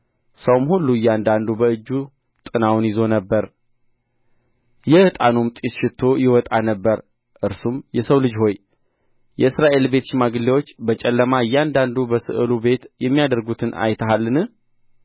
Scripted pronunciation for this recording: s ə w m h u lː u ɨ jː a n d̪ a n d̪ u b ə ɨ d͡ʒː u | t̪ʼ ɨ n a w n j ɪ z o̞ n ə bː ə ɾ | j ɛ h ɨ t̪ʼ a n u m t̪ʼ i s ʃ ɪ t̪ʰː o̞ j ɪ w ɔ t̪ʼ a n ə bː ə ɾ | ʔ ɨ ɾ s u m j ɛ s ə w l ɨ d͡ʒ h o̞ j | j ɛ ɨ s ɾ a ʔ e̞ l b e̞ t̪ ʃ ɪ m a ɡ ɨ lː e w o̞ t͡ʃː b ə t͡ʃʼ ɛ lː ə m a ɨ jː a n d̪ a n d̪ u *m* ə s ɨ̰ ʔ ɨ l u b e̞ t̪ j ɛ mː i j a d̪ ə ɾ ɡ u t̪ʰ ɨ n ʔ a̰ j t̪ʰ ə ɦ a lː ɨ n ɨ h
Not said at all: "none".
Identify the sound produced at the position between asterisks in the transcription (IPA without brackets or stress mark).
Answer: b